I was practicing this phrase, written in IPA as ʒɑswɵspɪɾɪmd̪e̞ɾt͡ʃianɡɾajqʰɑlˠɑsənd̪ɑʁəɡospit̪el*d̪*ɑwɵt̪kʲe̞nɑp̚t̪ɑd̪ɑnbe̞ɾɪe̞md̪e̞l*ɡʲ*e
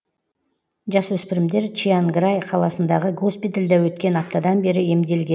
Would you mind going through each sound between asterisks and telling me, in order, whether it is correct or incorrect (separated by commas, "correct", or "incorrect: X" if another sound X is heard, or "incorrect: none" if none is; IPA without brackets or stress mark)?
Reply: correct, correct